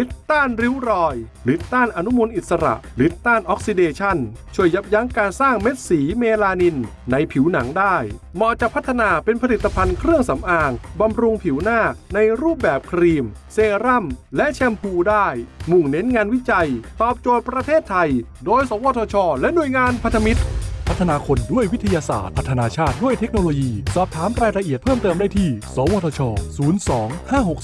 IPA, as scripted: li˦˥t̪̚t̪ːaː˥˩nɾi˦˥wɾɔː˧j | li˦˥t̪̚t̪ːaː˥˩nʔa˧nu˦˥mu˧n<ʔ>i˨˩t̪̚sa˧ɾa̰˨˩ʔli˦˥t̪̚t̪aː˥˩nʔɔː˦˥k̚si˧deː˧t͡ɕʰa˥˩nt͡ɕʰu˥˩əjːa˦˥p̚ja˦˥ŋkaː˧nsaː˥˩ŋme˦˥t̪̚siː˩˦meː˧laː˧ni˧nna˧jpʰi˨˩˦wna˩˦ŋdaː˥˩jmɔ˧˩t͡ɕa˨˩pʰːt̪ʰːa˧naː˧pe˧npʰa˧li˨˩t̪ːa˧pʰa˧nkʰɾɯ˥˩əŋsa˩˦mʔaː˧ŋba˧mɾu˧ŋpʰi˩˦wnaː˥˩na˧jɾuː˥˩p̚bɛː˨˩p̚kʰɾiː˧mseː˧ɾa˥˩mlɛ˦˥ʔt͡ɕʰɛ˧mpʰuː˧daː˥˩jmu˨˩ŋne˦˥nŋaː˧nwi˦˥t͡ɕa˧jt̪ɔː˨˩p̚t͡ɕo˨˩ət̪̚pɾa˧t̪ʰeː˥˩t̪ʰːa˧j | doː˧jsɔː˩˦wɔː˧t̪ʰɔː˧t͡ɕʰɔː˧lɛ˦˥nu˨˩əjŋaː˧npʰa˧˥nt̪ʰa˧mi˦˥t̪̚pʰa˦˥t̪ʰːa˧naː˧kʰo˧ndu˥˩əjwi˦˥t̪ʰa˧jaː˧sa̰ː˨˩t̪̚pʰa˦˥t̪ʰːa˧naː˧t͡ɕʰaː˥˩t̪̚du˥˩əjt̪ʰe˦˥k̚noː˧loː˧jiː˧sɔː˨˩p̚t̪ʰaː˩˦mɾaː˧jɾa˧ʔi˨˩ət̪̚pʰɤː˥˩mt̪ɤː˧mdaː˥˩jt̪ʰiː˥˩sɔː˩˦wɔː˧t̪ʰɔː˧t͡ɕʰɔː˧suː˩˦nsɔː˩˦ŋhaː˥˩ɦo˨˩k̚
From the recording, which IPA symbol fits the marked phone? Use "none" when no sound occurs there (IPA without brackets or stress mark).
ʔ